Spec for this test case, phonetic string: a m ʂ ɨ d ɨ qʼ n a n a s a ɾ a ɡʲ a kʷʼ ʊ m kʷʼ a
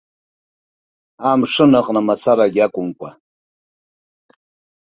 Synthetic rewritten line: a m ʂ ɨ n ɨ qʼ n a m a s a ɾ a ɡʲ a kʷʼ ʊ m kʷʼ a